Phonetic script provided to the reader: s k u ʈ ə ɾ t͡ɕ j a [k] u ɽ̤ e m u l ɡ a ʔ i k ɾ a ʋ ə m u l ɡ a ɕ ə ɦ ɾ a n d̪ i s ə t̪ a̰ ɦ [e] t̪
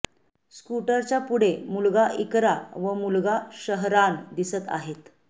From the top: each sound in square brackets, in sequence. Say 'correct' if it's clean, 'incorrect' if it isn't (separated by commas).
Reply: incorrect, correct